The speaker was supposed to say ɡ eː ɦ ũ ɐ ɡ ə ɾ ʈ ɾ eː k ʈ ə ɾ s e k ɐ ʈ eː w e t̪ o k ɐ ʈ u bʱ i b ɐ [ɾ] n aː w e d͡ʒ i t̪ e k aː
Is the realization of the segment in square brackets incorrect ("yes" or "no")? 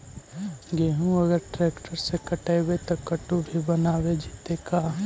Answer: yes